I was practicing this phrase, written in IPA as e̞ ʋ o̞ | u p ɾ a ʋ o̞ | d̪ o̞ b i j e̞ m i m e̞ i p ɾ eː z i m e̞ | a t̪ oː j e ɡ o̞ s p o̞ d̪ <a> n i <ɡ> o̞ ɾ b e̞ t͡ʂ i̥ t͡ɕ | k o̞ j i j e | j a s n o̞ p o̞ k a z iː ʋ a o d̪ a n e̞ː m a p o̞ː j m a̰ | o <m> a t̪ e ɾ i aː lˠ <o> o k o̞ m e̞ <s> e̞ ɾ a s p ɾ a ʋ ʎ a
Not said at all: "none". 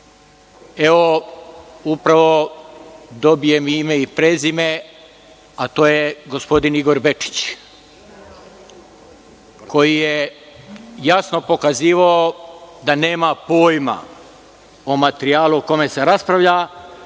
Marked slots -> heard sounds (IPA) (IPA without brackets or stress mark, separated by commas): i, ɡ, m, u, s